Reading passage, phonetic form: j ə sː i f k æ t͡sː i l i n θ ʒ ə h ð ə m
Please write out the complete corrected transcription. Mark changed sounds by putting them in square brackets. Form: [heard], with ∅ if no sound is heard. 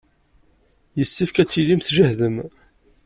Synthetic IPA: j ə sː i f k æ t͡sː i l i [m] θ ʒ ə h ð ə m

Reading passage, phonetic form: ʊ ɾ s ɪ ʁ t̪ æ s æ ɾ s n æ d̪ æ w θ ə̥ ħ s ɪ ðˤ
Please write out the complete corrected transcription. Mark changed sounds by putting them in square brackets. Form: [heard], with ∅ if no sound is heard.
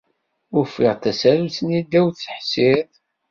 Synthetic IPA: ʊ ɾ [f] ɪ ʁ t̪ æ s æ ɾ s n [i] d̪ æ w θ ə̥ ħ s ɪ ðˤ

